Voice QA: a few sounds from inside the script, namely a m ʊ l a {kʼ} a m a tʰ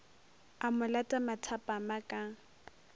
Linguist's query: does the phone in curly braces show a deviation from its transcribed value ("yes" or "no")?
yes